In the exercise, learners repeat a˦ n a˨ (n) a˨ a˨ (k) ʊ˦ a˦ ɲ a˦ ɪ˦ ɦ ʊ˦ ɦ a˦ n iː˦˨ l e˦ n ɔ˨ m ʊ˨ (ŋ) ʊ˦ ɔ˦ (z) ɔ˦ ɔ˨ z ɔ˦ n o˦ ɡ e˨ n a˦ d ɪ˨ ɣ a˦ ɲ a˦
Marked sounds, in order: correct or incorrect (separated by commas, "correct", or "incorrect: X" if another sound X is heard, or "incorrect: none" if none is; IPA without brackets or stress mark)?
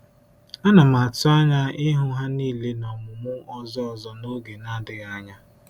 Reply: incorrect: m, incorrect: t, incorrect: m, correct